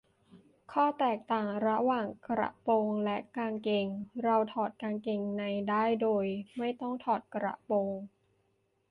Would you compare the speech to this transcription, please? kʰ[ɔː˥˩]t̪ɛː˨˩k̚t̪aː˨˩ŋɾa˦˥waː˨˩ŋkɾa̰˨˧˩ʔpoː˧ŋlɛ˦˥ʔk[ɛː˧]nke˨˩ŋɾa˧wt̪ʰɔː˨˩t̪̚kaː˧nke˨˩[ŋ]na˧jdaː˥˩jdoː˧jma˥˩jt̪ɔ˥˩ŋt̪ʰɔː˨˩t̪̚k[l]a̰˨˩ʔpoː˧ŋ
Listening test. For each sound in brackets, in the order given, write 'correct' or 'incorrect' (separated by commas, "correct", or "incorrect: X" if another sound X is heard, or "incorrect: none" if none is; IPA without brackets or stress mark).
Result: correct, incorrect: aː˧, correct, incorrect: ɾ